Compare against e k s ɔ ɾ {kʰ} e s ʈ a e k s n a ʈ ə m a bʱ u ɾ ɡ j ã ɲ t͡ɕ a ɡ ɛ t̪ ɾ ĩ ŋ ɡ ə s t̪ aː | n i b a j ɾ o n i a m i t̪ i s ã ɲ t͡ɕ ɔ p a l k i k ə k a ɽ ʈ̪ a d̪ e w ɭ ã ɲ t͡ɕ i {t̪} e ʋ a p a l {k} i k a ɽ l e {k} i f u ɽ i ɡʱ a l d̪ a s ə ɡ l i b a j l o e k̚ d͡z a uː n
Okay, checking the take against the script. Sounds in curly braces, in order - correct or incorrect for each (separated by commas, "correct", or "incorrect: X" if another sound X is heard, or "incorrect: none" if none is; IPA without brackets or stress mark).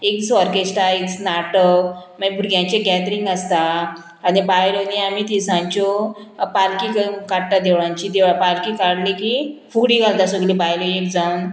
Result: incorrect: k, incorrect: d̪, correct, correct